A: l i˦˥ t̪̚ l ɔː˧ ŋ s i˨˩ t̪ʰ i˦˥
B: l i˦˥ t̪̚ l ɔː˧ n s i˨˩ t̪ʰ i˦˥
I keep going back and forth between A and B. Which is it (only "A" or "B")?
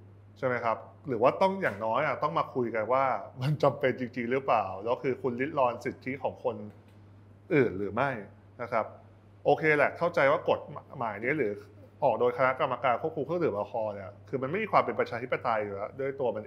B